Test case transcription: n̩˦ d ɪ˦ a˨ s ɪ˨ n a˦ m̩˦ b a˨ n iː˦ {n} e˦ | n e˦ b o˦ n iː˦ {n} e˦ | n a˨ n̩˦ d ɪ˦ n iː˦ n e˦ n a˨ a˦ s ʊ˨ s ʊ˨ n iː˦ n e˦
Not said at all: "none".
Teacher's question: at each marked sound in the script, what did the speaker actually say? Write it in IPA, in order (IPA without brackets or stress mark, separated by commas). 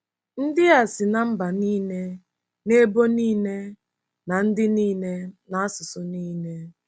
n, n